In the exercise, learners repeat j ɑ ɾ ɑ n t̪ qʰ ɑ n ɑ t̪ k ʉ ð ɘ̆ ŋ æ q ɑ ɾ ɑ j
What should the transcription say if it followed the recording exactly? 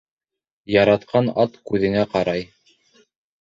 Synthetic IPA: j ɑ ɾ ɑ t̪ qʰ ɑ n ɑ t̪ k ʉ ð ɘ̆ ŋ æ q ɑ ɾ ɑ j

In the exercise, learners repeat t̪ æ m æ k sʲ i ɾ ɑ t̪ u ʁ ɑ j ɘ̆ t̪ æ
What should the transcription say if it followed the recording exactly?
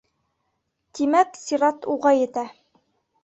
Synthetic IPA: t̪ i m æ k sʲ i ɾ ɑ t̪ u ʁ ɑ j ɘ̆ t̪ æ

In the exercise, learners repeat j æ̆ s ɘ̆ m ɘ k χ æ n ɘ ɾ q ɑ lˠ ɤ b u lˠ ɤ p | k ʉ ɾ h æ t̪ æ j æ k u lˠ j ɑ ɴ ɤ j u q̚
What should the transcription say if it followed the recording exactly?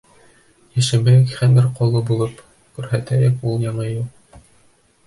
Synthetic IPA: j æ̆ ʃ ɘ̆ m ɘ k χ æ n ɘ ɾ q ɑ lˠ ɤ b u lˠ ɤ p | k ʉ ɾ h æ t̪ æ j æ k u lˠ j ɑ ɴ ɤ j u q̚

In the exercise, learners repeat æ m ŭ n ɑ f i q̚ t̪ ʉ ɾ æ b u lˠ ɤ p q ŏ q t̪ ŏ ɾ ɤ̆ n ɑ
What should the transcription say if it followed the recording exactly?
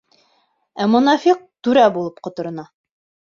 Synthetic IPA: æ m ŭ n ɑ f i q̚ t̪ ʉ ɾ æ b u lˠ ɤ p q ŏ t̪ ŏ ɾ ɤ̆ n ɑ

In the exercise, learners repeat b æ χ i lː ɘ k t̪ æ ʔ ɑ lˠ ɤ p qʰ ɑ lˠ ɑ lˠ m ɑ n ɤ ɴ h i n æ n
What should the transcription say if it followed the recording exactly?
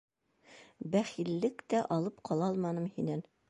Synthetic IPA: b æ χ i lː ɘ k t̪ æ ʔ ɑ lˠ ɤ p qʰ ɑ lˠ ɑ lˠ m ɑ n ɤ m h i n æ n

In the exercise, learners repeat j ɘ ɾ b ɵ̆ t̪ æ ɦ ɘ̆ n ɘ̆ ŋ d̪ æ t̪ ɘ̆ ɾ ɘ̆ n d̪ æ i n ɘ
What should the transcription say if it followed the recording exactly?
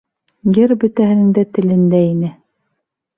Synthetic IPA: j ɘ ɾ b ɵ̆ t̪ æ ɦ ɘ̆ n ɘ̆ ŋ d̪ æ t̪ ɘ̆ l ɘ̆ n d̪ æ i n ɘ

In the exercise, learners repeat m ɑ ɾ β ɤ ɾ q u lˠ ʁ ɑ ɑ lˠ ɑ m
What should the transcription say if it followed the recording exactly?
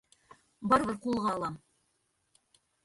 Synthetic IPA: b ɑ ɾ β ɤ ɾ q u lˠ ʁ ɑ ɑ lˠ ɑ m

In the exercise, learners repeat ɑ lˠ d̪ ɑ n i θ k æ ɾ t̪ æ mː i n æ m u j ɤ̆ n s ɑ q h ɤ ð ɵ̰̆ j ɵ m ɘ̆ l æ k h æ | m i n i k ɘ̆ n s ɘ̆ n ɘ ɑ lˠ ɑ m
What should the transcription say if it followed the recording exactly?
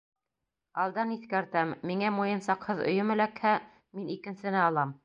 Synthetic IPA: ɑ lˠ d̪ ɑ n i θ k æ ɾ t̪ æ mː i ŋ æ m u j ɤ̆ n s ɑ q h ɤ ð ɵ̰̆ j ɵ m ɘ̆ l æ k h æ | m i n i k ɘ̆ n s ɘ̆ n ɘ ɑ lˠ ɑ m

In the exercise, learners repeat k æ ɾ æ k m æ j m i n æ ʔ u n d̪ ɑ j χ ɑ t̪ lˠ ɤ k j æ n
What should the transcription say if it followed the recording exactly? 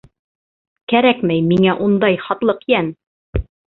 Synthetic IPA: k æ ɾ æ k m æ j m i ŋ æ ʔ u n d̪ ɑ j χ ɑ t̪ lˠ ɤ q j æ n

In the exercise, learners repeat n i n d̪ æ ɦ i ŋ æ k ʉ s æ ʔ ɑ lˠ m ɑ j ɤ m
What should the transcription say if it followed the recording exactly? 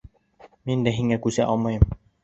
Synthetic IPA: m i n d̪ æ ɦ i ŋ æ k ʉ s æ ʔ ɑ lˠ m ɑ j ɤ m

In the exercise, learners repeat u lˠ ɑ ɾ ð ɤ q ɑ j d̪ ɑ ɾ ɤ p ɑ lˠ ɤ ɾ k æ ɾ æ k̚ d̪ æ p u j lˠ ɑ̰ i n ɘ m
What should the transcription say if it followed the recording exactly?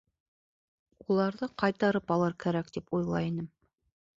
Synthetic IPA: u lˠ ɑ ɾ ð ɤ q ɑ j t̪ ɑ ɾ ɤ p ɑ lˠ ɤ ɾ k æ ɾ æ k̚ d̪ i p u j lˠ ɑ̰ i n ɘ m

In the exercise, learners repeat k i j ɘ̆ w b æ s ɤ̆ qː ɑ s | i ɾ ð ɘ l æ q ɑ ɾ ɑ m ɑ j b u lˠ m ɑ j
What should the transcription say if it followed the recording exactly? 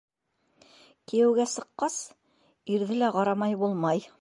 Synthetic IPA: k i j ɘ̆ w ɡ æ s ɤ̆ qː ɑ s | i ɾ ð ɘ l æ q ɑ ɾ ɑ m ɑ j b u lˠ m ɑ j

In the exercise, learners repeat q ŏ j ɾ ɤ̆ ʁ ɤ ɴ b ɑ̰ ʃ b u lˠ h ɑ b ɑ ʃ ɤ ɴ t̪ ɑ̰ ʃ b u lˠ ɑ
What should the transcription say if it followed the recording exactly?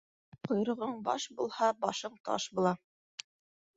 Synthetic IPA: q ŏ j ɾ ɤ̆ ʁ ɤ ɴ b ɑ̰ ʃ b u lˠ h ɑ b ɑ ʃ ɤ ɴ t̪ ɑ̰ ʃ b u lˠ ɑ

